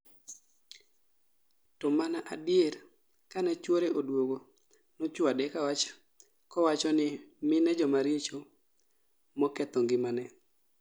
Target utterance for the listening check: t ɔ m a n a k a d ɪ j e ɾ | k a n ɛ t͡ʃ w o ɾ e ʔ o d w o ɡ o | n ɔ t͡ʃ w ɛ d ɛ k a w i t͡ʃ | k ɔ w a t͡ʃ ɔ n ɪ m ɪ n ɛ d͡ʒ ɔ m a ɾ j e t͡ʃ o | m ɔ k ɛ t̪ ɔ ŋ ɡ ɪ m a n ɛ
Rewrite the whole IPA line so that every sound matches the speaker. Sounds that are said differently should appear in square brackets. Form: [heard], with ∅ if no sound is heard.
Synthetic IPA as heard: t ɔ m a n a [ʔ] a d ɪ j e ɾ | k a n ɛ t͡ʃ w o ɾ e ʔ o d w o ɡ o | n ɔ t͡ʃ w [a] d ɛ k a w [a] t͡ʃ | k ɔ w a t͡ʃ ɔ n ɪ m ɪ n ɛ d͡ʒ ɔ m a ɾ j e t͡ʃ o | m ɔ k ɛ t̪ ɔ ŋ ɡ ɪ m a n ɛ